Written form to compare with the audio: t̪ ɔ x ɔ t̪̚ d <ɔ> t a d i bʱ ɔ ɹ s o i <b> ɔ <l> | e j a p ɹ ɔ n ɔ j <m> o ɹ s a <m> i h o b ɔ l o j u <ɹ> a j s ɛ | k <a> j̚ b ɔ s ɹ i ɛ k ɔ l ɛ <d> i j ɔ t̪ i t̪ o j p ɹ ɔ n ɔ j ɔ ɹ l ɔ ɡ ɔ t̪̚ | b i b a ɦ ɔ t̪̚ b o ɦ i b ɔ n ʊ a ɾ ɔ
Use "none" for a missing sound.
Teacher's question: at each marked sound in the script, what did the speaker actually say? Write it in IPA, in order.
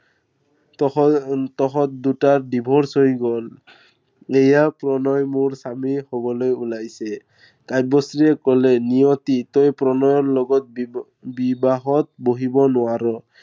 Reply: u, ɡ, l, m, m, l, a, n

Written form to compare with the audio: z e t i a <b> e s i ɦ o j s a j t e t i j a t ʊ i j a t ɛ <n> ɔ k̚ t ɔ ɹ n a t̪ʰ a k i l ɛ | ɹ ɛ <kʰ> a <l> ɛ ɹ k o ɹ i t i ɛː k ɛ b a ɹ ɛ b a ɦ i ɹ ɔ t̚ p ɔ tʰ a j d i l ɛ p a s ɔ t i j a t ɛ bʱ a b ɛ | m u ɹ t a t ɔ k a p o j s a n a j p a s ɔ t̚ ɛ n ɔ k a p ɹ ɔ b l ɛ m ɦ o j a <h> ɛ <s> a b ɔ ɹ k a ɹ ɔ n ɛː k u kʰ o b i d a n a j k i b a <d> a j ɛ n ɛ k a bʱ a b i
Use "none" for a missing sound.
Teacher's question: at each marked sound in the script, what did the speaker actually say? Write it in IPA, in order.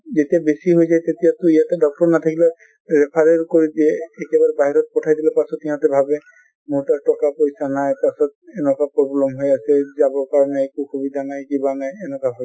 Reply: b, d, pʰ, ɹ, s, z, n

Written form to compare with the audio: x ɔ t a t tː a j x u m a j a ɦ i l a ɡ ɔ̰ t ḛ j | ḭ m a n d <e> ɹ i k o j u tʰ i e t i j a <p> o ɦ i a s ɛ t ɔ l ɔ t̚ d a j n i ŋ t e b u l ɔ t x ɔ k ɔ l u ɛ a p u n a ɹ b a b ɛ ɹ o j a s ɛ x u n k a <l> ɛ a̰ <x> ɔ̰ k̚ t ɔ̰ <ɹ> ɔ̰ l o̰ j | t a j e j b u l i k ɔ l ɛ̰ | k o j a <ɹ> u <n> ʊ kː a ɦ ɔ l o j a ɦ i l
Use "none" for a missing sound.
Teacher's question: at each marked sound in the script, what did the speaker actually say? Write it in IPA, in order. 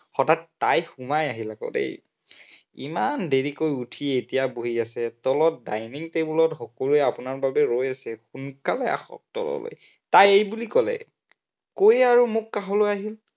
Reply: e, b, l, x, l, ɹ, m

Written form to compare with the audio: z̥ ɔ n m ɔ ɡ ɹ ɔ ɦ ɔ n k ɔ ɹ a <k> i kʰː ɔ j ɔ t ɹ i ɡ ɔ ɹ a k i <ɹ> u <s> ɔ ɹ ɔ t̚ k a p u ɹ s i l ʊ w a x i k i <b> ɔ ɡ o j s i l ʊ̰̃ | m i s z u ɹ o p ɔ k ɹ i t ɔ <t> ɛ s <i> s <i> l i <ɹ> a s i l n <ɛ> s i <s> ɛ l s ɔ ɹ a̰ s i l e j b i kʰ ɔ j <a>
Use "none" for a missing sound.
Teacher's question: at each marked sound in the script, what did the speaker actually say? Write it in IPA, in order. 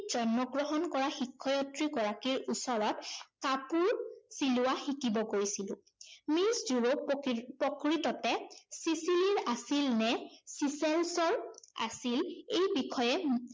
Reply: x, ɹ, s, b, t, i, i, ɹ, ɛ, s, ɛ

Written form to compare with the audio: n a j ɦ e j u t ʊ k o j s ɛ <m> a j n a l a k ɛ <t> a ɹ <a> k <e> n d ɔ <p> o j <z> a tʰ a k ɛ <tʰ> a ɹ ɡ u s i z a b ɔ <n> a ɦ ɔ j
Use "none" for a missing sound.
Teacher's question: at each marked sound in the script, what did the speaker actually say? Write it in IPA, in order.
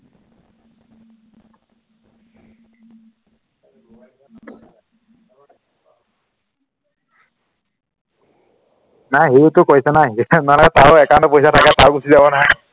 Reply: n, t, ɛ, a, p, s, t, n

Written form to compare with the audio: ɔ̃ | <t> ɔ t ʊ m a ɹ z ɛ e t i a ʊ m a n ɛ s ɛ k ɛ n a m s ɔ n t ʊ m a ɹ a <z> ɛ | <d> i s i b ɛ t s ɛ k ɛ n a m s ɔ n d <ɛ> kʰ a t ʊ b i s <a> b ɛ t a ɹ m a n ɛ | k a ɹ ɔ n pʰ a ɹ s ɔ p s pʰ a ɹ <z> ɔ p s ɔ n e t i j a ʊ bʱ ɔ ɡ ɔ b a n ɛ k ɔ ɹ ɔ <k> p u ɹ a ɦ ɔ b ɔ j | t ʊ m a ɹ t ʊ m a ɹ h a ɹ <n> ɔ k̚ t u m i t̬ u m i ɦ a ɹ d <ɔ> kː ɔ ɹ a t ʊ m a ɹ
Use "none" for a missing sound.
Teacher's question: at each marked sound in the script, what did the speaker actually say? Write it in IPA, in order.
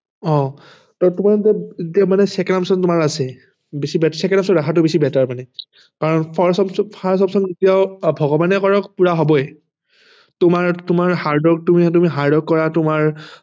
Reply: t, s, b, a, i, s, k, d, ɔ

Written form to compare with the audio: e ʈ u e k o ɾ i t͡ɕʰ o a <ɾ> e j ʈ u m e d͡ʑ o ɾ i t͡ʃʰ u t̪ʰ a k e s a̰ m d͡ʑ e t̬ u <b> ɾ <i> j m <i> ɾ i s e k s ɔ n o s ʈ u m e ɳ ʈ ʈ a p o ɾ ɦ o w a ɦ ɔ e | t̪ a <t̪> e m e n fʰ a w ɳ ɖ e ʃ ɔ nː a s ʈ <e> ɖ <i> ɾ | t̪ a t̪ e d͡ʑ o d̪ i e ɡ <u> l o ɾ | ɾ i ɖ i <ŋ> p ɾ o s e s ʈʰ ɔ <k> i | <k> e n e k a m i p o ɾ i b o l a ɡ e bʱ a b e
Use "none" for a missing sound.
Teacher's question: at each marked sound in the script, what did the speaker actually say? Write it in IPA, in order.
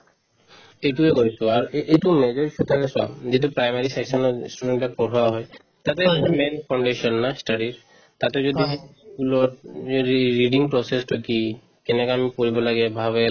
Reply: ɾ, p, a, a, t̪, a, i, u, ŋ, k, k

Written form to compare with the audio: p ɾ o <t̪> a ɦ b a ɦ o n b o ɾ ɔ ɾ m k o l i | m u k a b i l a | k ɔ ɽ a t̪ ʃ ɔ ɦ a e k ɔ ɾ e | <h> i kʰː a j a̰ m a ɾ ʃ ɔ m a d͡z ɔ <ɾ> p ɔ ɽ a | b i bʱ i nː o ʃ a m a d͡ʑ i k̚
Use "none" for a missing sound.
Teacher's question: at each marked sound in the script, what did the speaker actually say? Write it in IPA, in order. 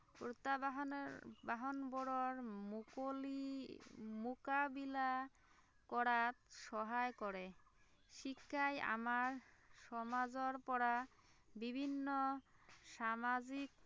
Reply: t̪, ʃ, ɾ

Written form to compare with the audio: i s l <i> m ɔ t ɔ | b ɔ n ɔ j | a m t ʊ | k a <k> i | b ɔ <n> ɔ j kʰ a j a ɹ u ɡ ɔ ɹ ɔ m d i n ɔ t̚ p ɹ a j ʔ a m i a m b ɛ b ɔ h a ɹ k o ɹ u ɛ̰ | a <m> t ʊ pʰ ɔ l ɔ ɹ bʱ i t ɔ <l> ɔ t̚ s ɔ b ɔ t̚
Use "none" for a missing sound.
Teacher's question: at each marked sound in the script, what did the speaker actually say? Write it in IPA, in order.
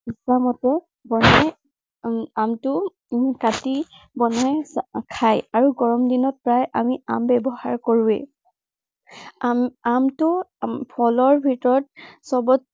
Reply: a, t, n, m, ɹ

